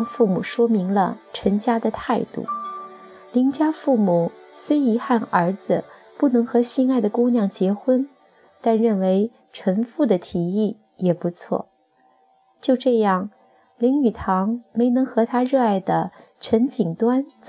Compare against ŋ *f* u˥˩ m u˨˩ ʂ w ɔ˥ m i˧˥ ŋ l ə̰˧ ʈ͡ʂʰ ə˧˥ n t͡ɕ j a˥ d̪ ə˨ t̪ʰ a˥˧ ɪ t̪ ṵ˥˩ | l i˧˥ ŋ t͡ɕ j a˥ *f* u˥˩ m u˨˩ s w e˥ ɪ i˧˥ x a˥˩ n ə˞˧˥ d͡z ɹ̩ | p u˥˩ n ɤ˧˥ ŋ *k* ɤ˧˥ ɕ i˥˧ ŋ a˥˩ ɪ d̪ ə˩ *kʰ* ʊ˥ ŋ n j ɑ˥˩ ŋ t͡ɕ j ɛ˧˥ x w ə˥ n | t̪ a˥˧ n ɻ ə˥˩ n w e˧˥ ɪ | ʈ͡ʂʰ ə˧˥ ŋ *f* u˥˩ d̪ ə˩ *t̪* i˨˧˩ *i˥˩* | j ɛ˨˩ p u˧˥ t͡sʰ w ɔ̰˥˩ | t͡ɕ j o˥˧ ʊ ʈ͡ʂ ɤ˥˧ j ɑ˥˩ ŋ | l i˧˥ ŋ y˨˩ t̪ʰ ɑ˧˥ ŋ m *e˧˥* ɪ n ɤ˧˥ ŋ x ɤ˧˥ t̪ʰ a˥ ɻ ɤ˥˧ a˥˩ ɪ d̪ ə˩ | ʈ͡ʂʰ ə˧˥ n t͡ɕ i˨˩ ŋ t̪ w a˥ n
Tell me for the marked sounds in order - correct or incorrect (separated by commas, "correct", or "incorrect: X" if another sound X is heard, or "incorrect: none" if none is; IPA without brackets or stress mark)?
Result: correct, correct, incorrect: x, incorrect: k, correct, incorrect: t̪ʰ, correct, correct